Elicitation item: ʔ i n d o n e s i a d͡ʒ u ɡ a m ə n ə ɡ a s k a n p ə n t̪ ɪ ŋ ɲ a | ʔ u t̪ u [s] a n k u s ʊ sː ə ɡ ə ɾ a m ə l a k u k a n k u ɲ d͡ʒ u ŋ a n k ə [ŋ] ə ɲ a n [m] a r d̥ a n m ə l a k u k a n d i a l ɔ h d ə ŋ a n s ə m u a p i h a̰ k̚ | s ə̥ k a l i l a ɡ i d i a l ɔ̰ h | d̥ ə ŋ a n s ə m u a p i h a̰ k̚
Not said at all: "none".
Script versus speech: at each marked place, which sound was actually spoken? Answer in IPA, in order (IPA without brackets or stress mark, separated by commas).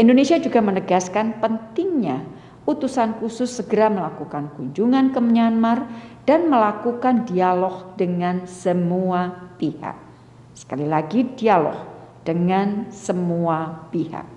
s, m, m